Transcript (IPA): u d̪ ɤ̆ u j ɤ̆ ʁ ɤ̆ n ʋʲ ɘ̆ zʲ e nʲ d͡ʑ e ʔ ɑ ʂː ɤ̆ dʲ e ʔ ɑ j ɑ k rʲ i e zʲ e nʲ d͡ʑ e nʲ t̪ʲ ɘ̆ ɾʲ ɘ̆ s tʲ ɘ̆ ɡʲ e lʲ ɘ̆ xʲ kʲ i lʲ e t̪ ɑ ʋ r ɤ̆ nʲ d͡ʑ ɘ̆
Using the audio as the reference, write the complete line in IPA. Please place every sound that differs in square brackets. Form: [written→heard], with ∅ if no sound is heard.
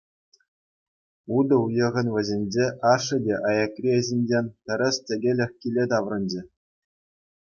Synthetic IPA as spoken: u d̪ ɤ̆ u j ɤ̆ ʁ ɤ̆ n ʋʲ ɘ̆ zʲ e nʲ d͡ʑ e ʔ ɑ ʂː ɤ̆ dʲ e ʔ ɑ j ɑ k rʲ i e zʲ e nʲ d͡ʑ e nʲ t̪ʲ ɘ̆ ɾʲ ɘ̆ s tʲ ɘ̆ ɡʲ e lʲ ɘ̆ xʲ kʲ i lʲ e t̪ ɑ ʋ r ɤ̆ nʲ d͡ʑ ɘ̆